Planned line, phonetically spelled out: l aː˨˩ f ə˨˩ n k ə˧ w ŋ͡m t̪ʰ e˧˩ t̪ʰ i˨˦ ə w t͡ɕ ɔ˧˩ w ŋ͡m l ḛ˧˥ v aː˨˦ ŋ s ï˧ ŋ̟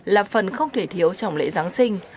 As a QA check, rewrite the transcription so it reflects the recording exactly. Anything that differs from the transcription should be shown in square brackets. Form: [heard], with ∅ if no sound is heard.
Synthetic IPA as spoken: l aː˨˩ f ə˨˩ n [x] ə˧ w ŋ͡m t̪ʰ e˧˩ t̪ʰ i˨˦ ə w t͡ɕ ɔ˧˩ w ŋ͡m l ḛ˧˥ [z] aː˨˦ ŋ s ï˧ ŋ̟